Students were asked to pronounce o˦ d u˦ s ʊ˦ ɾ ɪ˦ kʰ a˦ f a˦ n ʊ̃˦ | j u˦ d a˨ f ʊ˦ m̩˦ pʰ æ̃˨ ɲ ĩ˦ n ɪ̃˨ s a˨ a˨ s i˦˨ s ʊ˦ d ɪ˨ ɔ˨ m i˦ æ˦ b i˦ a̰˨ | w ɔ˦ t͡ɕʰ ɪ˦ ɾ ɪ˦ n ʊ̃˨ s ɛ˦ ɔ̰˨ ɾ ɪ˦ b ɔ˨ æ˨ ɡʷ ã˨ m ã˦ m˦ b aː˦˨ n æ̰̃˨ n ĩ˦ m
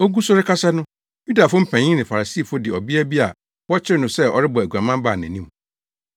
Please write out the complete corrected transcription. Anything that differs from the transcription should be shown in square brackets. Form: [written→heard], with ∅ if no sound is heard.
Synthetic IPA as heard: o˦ [d→ɡ] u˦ s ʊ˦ ɾ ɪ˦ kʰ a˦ [f→s] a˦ n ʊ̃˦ | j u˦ d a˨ f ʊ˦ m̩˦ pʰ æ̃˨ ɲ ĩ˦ n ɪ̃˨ [s→f] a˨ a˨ s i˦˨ [s→f] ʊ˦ d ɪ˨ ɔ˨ [m→b] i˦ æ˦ b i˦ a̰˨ | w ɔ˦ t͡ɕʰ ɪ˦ ɾ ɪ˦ n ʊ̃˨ s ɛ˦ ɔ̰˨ ɾ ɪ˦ b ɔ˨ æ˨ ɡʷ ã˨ m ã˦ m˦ b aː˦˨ n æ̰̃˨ n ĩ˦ m